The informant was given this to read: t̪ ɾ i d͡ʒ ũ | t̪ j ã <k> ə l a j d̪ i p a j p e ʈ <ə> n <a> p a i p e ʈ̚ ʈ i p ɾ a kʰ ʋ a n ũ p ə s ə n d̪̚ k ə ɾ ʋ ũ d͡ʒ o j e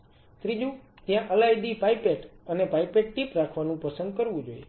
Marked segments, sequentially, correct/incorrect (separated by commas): incorrect, correct, incorrect